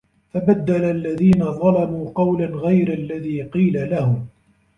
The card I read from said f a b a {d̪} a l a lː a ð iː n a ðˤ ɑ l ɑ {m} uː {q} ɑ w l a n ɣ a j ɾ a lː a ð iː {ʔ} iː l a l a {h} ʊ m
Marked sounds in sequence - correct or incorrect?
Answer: incorrect: d̪ː, correct, correct, incorrect: q, correct

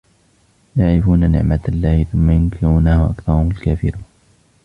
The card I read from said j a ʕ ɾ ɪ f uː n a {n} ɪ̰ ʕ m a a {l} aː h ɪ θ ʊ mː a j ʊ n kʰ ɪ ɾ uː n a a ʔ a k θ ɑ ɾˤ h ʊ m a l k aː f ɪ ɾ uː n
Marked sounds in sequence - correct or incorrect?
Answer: correct, incorrect: lː

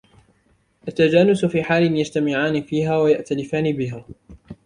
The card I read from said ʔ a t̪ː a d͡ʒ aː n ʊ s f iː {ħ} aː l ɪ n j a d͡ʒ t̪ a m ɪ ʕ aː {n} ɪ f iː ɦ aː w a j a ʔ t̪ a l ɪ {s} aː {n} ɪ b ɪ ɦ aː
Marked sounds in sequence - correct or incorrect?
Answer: correct, correct, incorrect: f, correct

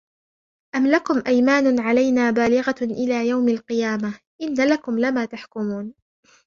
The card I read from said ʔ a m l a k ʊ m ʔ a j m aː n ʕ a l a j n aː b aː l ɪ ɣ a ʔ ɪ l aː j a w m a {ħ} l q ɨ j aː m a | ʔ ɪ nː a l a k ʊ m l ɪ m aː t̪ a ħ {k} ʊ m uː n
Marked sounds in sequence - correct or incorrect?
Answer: incorrect: none, correct

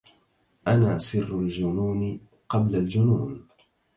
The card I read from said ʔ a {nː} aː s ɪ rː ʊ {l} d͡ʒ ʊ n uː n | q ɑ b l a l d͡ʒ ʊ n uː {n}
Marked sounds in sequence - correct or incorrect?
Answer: incorrect: n, correct, correct

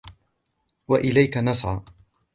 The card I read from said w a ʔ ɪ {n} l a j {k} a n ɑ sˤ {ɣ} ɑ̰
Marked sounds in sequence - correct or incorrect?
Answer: incorrect: none, correct, incorrect: ʕ

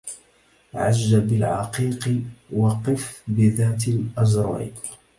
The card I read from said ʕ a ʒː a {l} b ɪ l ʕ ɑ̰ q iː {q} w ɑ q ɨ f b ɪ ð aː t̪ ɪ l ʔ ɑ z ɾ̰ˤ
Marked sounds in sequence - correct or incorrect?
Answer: incorrect: none, correct

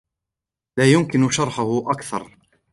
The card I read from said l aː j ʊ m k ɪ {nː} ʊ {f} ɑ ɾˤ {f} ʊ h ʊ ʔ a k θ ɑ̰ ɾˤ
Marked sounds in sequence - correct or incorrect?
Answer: incorrect: n, incorrect: ʃ, incorrect: ħ

